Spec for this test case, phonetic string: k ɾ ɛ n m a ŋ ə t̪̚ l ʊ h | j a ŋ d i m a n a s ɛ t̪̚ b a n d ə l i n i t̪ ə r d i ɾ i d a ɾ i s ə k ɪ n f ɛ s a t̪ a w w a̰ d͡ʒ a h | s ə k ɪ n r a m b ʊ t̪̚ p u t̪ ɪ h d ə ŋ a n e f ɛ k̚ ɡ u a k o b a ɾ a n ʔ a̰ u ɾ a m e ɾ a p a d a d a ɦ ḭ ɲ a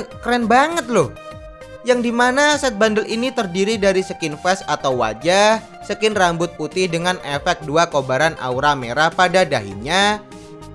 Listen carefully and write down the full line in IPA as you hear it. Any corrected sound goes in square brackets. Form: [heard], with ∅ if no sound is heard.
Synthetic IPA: k ɾ ɛ n [b] a ŋ ə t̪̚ l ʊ h | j a ŋ d i m a n a s ɛ t̪̚ b a n d ə l i n i t̪ ə r d i ɾ i d a ɾ i s ə k ɪ n f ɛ s a t̪ a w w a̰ d͡ʒ a h | s ə k ɪ n r a m b ʊ t̪̚ p u t̪ ɪ h d ə ŋ a n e f ɛ k̚ [d] u a k o b a ɾ a n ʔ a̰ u ɾ a m e ɾ a p a d a d a ɦ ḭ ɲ a